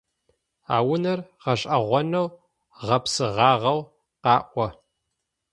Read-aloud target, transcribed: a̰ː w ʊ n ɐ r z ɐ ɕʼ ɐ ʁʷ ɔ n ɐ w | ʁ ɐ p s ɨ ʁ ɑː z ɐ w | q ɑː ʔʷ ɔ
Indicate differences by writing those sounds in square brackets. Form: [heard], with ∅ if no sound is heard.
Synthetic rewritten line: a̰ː w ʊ n ɐ r [ʁ] ɐ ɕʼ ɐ ʁʷ ɔ n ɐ w | ʁ ɐ p s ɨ ʁ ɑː [ʁ] ɐ w | q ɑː ʔʷ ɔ